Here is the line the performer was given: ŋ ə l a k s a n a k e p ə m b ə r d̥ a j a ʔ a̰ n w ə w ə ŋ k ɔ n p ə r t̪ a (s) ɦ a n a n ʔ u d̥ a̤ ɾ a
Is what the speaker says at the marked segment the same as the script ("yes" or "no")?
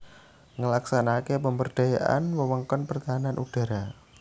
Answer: no